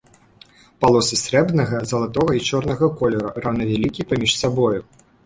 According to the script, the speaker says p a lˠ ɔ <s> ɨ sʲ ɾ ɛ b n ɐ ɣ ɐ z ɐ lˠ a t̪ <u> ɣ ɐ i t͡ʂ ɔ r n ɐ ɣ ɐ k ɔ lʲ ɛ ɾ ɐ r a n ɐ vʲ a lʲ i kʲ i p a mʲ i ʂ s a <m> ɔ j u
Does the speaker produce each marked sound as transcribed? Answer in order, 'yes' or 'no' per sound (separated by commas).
yes, no, no